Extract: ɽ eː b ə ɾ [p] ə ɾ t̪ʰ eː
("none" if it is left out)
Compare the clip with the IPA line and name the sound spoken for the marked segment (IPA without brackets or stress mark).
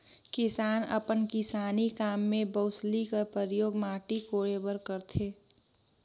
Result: k